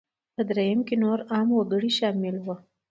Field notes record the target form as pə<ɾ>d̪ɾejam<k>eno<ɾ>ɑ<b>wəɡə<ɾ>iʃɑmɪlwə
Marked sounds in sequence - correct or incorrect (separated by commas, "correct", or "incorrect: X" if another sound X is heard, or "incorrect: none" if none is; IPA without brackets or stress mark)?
incorrect: none, correct, correct, incorrect: m, incorrect: ɽ